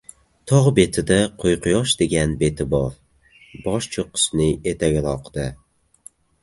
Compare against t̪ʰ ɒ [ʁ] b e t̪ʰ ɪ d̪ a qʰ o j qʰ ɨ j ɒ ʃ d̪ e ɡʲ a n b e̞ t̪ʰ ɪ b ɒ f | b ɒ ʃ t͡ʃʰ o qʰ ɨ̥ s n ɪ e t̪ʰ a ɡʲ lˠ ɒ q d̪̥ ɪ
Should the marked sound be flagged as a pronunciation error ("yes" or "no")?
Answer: no